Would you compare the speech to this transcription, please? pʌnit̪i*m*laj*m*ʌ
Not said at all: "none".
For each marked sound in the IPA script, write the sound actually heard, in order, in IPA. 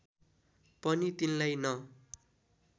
n, n

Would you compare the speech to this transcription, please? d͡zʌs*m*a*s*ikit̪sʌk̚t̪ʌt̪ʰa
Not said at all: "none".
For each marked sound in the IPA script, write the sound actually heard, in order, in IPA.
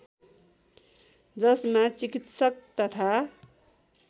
m, t͡s

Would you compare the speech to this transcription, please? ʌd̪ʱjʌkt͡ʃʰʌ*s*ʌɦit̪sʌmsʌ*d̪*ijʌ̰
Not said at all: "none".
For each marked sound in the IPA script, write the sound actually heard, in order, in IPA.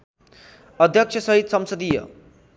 s, d̪

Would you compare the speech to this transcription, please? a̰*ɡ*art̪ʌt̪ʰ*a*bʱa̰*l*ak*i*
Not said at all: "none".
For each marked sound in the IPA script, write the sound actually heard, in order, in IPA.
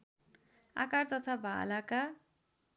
k, a, l, a

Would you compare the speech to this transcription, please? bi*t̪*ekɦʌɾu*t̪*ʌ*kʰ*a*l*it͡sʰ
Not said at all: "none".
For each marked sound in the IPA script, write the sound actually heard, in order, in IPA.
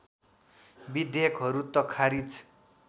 d̪, t̪, kʰ, ɾ

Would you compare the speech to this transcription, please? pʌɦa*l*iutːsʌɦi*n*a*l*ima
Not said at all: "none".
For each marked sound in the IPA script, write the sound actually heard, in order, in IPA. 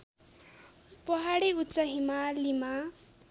ɽ, m, l

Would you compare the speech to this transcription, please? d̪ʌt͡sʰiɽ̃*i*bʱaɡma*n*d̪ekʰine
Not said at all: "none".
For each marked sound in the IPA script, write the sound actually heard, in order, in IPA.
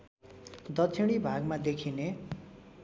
i, none

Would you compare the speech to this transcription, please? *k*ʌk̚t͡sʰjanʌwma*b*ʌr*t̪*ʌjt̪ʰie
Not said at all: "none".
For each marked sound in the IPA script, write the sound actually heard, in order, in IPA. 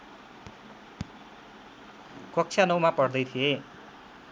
k, p, d̪

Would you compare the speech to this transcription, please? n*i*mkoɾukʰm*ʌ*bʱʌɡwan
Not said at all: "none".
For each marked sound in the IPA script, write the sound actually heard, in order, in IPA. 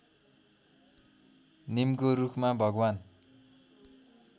i, a

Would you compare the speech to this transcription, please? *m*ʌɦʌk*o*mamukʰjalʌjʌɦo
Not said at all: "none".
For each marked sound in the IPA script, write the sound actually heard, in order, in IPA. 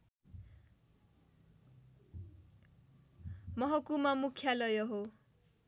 m, u

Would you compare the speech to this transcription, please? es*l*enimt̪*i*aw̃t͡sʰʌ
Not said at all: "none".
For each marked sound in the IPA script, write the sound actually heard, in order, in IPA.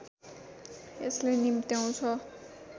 l, j

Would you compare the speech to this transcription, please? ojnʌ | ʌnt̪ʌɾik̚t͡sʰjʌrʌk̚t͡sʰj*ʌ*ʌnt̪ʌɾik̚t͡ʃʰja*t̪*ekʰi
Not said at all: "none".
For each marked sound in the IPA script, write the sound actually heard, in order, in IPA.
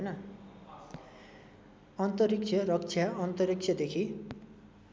a, d̪

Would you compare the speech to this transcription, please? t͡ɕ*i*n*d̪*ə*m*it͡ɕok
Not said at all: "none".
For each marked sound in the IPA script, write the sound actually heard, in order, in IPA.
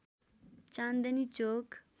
a, d̪, n

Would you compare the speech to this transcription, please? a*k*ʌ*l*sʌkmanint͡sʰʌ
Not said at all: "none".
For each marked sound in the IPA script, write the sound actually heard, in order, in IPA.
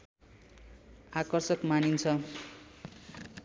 k, r

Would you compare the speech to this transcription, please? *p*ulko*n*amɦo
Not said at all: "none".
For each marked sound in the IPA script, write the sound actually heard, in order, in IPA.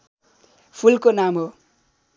pʰ, n

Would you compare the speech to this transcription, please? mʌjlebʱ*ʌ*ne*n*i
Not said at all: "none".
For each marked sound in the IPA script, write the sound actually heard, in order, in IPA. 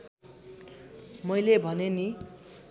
ʌ, n

